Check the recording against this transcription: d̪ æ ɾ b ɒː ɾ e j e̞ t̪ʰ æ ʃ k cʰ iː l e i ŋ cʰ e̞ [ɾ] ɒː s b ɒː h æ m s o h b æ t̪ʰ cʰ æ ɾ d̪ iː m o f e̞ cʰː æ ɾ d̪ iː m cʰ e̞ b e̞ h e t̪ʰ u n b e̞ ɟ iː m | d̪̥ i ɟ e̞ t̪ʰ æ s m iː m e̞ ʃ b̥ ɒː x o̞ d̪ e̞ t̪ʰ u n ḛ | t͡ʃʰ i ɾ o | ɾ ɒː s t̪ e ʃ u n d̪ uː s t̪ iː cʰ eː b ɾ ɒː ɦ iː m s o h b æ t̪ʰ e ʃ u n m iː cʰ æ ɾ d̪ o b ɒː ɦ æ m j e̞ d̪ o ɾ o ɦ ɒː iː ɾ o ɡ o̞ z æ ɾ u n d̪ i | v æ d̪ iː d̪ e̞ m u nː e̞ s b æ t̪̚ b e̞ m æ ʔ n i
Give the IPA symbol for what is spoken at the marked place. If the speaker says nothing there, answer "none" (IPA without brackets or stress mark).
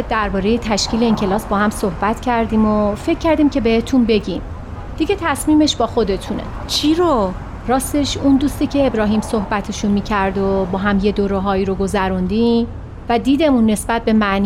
l